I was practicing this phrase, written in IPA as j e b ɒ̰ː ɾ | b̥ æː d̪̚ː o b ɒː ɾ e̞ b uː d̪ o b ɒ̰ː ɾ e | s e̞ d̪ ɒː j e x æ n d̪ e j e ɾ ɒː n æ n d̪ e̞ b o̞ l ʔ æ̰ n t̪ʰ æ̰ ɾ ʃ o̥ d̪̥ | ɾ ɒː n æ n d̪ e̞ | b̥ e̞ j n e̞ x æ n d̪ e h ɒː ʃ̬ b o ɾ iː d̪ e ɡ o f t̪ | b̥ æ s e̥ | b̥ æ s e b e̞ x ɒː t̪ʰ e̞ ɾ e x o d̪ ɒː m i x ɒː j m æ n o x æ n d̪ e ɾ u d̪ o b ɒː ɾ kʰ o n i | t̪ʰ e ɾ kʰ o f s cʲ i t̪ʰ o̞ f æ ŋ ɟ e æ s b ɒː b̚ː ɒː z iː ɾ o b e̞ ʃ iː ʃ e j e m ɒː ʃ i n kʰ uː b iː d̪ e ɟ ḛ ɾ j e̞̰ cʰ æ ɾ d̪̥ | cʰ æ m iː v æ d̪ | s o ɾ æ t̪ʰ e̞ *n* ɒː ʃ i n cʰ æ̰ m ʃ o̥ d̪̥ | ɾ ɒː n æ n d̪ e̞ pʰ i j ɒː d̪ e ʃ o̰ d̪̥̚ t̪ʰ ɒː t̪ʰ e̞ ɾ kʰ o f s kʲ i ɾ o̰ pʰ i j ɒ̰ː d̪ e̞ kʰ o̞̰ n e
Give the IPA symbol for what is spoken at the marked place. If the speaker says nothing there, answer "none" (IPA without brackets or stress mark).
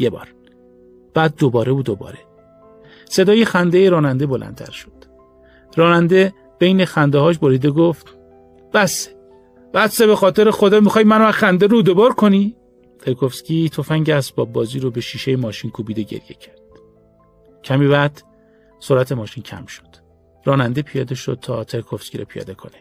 m